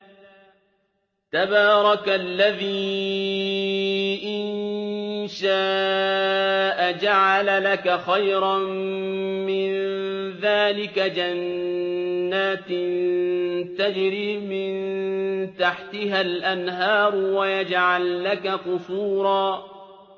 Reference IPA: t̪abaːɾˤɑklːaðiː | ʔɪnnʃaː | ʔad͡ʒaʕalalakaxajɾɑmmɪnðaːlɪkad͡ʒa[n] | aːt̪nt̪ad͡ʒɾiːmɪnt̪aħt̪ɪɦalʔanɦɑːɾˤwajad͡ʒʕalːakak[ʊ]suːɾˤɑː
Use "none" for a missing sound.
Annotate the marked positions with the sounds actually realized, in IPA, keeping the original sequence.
nː, ʊ

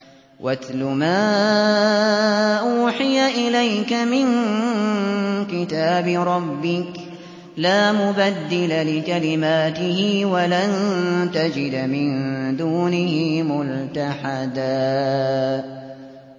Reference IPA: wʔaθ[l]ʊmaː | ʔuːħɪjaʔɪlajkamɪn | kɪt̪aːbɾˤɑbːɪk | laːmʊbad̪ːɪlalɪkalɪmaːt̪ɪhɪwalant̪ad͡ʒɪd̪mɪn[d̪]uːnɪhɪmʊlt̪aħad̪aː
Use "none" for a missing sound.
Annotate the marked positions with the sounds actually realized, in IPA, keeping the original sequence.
l, d̪

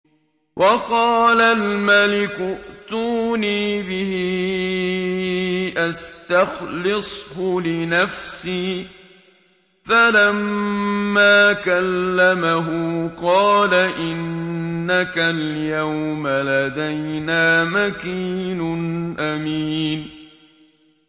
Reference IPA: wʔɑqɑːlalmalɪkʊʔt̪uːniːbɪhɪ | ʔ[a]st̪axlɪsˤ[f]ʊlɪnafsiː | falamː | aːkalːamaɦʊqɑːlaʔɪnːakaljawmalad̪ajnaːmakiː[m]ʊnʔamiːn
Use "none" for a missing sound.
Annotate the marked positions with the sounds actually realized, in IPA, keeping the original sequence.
a, h, n

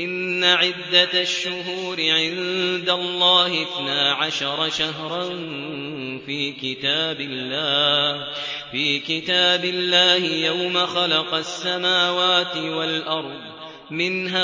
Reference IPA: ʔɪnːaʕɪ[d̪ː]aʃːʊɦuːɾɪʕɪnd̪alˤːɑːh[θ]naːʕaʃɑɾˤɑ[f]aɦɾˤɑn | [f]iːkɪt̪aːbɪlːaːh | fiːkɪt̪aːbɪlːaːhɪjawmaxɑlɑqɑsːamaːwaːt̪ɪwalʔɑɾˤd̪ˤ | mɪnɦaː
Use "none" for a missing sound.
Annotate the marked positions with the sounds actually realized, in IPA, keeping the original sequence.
d̪ː, θ, ʃ, f

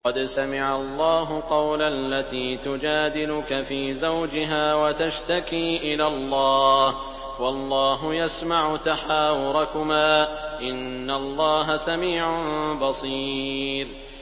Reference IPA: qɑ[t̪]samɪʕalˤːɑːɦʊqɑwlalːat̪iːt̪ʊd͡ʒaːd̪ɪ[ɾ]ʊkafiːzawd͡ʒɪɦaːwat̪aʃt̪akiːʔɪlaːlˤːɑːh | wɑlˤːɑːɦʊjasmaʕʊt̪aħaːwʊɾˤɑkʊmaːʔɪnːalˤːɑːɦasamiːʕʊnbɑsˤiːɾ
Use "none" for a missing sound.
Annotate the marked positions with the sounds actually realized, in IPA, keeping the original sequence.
d̪, l

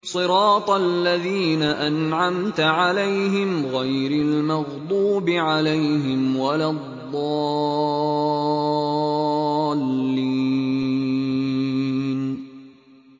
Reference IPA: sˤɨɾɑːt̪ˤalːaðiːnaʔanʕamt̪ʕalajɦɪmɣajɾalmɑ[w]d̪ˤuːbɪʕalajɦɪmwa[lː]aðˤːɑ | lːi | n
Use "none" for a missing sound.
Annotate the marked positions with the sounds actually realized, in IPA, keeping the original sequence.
ɣ, l

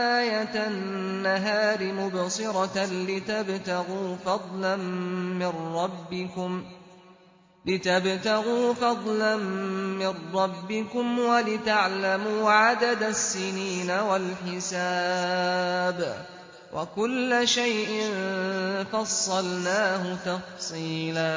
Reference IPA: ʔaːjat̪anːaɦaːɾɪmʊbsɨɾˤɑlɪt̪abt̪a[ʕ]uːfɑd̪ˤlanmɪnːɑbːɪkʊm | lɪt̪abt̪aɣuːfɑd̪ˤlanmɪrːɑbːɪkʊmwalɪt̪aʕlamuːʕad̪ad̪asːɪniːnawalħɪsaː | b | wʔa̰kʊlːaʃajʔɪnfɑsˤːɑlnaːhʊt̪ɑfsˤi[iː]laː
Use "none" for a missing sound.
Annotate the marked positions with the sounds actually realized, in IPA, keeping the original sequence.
ɣ, iː

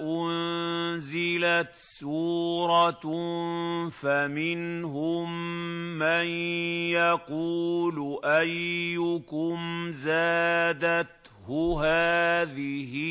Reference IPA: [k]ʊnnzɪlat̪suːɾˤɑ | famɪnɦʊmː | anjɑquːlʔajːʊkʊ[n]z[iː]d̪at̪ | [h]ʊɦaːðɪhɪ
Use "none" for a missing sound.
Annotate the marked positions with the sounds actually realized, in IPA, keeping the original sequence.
ʔ, m, aː, h

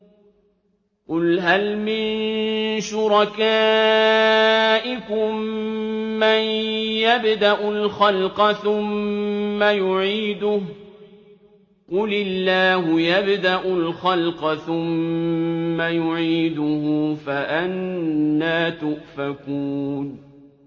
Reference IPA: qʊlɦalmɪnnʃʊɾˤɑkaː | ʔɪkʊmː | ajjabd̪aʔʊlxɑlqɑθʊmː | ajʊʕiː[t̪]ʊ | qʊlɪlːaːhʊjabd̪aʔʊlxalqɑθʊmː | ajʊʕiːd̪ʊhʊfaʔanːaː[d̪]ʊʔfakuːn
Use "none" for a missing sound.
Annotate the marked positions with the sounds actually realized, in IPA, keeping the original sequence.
d̪, t̪

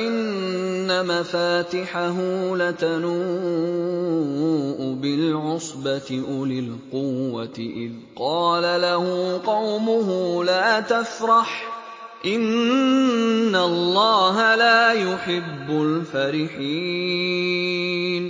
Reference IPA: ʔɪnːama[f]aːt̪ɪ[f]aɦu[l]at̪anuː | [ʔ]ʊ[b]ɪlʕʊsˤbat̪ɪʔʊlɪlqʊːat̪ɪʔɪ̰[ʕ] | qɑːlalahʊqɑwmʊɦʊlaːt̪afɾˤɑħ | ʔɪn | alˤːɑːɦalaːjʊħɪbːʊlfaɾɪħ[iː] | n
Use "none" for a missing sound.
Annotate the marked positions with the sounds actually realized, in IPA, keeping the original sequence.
f, ħ, l, ʔ, b, ð, iː

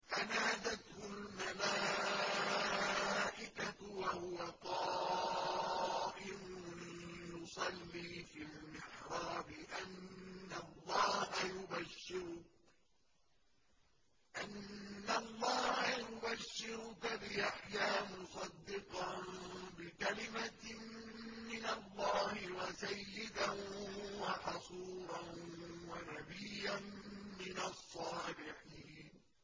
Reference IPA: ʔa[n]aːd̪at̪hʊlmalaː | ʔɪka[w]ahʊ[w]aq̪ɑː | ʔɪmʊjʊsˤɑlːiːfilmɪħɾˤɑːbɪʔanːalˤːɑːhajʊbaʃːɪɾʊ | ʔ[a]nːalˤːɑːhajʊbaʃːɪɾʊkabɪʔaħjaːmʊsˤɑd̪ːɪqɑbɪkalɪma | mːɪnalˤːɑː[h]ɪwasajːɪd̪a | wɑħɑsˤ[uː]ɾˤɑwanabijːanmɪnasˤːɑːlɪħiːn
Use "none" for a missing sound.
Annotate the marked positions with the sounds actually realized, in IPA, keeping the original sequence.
n, w, w, a, h, uː

